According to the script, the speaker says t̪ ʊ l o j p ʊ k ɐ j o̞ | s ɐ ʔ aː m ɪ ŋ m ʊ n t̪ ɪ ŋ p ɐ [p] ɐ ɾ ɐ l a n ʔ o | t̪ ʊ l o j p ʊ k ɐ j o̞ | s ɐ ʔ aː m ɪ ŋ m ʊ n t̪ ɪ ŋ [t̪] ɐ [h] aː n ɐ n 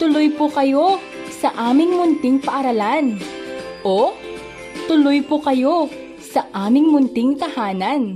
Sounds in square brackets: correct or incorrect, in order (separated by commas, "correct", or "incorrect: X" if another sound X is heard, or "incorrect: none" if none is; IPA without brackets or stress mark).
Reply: incorrect: ʔ, correct, correct